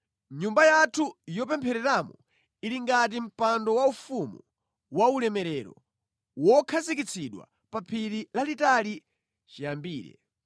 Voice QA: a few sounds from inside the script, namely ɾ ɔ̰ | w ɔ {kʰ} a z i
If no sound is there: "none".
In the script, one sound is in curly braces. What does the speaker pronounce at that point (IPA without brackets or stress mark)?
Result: kʰ